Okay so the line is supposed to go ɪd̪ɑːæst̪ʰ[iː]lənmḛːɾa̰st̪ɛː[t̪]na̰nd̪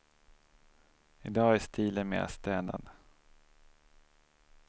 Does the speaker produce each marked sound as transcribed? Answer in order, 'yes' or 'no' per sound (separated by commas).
yes, no